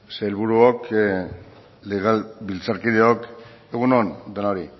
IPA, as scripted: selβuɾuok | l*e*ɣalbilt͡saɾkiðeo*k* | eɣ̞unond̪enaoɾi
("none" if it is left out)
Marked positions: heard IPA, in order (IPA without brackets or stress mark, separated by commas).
e, k